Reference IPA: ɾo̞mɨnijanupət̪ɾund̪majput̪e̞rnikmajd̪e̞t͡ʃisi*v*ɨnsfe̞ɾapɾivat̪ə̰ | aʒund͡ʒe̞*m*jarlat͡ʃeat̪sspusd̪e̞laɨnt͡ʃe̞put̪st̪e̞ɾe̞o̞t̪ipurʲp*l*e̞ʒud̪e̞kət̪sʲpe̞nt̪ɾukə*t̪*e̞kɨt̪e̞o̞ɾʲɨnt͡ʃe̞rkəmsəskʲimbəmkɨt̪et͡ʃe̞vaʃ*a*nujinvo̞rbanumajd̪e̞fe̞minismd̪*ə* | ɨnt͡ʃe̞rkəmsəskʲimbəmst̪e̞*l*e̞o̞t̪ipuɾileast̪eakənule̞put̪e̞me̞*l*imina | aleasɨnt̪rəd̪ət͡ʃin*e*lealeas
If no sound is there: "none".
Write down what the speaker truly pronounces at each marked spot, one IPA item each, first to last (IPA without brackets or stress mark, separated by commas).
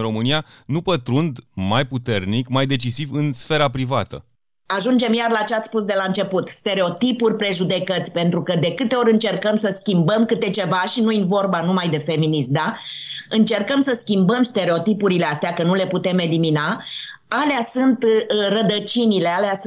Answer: v, m, ɾ, d̪, i, a, ɾ, l, i